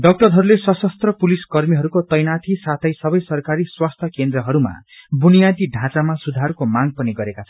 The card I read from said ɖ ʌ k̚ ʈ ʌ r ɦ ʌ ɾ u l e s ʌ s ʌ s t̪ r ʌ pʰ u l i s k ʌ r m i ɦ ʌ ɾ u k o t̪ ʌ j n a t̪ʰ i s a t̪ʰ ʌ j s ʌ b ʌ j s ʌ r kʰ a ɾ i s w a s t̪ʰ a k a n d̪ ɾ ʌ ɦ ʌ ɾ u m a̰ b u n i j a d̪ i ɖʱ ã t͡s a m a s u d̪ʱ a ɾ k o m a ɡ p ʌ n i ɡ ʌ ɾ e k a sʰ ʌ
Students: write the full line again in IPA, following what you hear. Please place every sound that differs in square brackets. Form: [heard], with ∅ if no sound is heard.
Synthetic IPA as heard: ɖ ʌ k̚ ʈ ʌ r ɦ ʌ ɾ u l e s ʌ s ʌ s t̪ r ʌ [p] u l i s k ʌ r m i ɦ ʌ ɾ u k o t̪ ʌ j n a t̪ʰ i s a t̪ʰ ʌ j s ʌ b ʌ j s ʌ r [k] a ɾ i s w a s t̪ʰ [ʌ] k [e] n d̪ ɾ ʌ ɦ ʌ ɾ u m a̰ b u n i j a d̪ i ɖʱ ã t͡s a m a s u d̪ʱ a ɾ k o m a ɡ p ʌ n i ɡ ʌ ɾ e k a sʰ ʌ

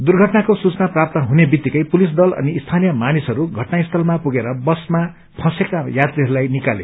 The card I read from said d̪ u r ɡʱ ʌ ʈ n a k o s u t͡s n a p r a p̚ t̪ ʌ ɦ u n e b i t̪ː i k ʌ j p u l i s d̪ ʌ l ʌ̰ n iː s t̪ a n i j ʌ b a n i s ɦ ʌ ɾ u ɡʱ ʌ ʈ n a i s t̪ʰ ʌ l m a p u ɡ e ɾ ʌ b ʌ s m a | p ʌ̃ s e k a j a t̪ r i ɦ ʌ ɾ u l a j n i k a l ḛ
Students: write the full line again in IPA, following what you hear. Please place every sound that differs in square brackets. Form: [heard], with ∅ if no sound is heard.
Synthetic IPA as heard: d̪ u r ɡʱ ʌ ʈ n a k o s u t͡s n a p r a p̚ t̪ ʌ ɦ u n e b i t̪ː i k ʌ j p u l i s d̪ ʌ l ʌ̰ n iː s [t̪ʰ] a n i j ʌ [m] a n i s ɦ ʌ ɾ u ɡʱ ʌ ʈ n a i s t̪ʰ ʌ l m a p u ɡ e ɾ ʌ b ʌ s m a | [pʰ] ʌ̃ s e k a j a t̪ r i ɦ ʌ ɾ u l a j n i k a l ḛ

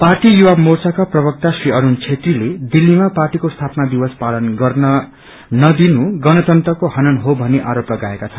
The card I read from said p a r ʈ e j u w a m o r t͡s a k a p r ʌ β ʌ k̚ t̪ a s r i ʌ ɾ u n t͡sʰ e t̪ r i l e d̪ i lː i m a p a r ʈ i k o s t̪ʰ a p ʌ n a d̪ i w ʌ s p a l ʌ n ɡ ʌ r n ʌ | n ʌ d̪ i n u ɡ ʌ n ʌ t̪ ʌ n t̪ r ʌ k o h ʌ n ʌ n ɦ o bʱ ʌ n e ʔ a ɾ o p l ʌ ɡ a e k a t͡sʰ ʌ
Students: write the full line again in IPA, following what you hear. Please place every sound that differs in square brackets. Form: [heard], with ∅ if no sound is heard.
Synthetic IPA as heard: p a r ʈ [i] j u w a m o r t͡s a k a p r ʌ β ʌ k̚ t̪ a s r i ʌ ɾ u n t͡sʰ e t̪ r i l e d̪ i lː i m a p a r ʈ i k o s t̪ʰ a p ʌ n a d̪ i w ʌ s p a l ʌ n ɡ ʌ r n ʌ | n ʌ d̪ i n u ɡ ʌ n ʌ t̪ ʌ n t̪ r ʌ k o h ʌ n ʌ n ɦ o bʱ ʌ n e ʔ a ɾ o p l ʌ ɡ a e k a t͡sʰ ʌ

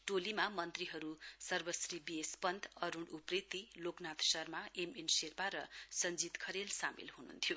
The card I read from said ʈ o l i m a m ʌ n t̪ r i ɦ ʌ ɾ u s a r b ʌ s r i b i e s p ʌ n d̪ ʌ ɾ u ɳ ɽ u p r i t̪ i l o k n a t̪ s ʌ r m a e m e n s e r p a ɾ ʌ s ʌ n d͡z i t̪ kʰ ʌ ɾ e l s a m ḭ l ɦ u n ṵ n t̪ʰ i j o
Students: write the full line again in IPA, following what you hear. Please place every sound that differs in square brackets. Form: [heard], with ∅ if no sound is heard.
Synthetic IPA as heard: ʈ o l i m a m ʌ n t̪ r i ɦ ʌ ɾ u s [ʌ] r b ʌ s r i b i e s p ʌ n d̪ ʌ ɾ u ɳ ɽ u p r i t̪ i l o k n a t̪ s ʌ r m a e m e n s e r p a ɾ ʌ s ʌ n d͡z i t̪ kʰ ʌ ɾ e l s a m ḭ l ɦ u n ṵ n t̪ʰ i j o

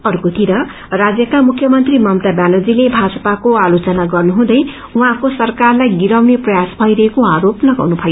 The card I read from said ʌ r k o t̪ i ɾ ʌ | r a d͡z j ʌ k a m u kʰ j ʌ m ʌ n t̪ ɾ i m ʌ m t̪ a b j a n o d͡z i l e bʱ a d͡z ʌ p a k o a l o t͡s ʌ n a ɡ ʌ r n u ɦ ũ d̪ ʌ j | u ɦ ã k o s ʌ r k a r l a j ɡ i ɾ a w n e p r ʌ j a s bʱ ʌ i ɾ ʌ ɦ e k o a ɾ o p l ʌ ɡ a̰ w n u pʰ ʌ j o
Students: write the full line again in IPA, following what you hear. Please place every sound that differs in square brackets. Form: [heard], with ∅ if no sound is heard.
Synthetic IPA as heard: ʌ r k o t̪ i ɾ ʌ | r a d͡z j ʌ k a m u kʰ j ʌ m ʌ n t̪ [r] i m ʌ m t̪ a b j a n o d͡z i l e bʱ a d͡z ʌ p a k o a l o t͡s ʌ n a ɡ ʌ r n u ɦ ũ d̪ ʌ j | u ɦ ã k o s ʌ r k a r l a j ɡ i ɾ a w n e p r ʌ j a s bʱ ʌ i ɾ ʌ ɦ e k o a ɾ o p l ʌ ɡ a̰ w n u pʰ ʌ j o

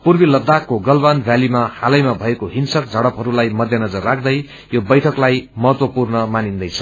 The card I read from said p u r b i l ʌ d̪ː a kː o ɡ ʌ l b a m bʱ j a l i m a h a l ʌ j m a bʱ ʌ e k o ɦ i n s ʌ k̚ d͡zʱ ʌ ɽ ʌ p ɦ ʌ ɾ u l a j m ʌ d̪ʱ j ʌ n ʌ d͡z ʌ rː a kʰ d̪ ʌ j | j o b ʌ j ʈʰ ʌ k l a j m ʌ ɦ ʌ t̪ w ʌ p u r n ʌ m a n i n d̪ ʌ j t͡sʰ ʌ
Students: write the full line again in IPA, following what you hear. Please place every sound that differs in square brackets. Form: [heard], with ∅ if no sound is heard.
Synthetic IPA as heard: p u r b i l ʌ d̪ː a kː o ɡ ʌ l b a [n] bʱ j a l i m a h a l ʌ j m a bʱ ʌ e k o ɦ i n s ʌ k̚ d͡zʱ ʌ ɽ ʌ p ɦ ʌ ɾ u l a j m ʌ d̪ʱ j ʌ n ʌ d͡z ʌ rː a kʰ d̪ ʌ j | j o b ʌ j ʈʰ ʌ k l a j m ʌ ɦ ʌ t̪ w ʌ p u r n ʌ m a n i n d̪ ʌ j t͡sʰ ʌ

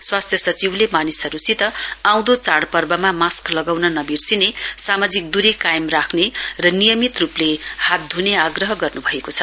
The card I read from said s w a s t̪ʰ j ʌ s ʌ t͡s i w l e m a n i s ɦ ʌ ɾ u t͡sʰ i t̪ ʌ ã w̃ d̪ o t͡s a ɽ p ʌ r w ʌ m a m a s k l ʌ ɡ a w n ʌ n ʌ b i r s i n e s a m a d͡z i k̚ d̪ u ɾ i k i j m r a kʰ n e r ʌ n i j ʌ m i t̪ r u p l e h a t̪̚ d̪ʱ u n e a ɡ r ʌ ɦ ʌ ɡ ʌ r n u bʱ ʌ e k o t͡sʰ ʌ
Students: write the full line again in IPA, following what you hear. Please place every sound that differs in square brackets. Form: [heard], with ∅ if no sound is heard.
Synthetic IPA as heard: s w a s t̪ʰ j ʌ s ʌ t͡s i w l e m a n i s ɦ ʌ ɾ u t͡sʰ i t̪ ʌ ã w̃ d̪ o t͡s a ɽ p ʌ r [b] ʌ m a m a s k l ʌ ɡ a w n ʌ n ʌ b i r s i n e s a m a d͡z i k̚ d̪ u ɾ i k [a] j m r a kʰ n e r ʌ n i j ʌ m i t̪ r u p l e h a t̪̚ d̪ʱ u n e a ɡ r ʌ ɦ ʌ ɡ ʌ r n u bʱ ʌ e k o t͡sʰ ʌ

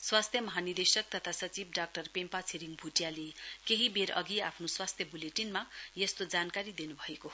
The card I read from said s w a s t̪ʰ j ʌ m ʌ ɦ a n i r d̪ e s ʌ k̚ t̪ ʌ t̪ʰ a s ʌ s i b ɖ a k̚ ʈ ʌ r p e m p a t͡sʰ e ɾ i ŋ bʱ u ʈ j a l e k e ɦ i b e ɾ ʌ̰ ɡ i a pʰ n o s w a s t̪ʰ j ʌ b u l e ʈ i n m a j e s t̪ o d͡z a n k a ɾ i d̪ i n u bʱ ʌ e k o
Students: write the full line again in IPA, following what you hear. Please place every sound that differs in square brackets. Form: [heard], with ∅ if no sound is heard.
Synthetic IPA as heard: s w a s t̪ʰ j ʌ m ʌ ɦ a n i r d̪ e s ʌ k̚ t̪ ʌ t̪ʰ a s ʌ [t͡s] i b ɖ a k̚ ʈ ʌ r p e m p a t͡sʰ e ɾ i ŋ bʱ u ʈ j a l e k e ɦ i b e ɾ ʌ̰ ɡ i a pʰ n o s w a s t̪ʰ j ʌ b u l e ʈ i n m a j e s t̪ o d͡z a n k a ɾ i d̪ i n u bʱ ʌ e k o

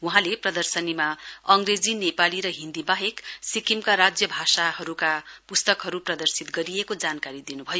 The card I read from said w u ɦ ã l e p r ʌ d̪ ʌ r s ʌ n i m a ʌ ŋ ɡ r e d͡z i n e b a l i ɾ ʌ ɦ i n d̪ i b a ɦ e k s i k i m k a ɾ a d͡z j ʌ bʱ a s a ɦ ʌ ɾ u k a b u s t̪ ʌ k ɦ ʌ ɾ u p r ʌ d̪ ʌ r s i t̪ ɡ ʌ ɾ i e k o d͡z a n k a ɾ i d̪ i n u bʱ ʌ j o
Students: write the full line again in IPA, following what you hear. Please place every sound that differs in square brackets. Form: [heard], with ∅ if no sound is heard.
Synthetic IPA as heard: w u ɦ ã l e p r ʌ d̪ ʌ r s ʌ n i m a ʌ ŋ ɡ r e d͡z i n e [p] a l i ɾ ʌ ɦ i n d̪ i b a ɦ e k s i k i m k a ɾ a d͡z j ʌ bʱ a s a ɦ ʌ ɾ u k a [p] u s t̪ ʌ k ɦ ʌ ɾ u p r ʌ d̪ ʌ r s i t̪ ɡ ʌ ɾ i e k o d͡z a n k a ɾ i d̪ i n u bʱ ʌ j o

